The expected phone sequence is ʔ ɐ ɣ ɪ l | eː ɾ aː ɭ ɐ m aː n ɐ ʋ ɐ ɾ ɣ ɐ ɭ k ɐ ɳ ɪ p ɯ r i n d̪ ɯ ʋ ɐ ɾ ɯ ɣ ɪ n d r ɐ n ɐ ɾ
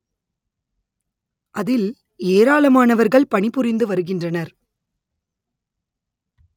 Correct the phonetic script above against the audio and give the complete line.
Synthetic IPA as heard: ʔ ɐ ð ɪ l | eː ɾ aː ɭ ɐ m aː n ɐ ʋ ɐ ɾ ɣ ɐ ɭ p ɐ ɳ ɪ p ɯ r ɪ n d̪ ɯ ʋ ɐ ɾ ɯ ɣ ɪ n d r ɐ n ɐ ɾ